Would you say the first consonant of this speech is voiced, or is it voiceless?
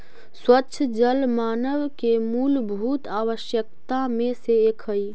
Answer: voiceless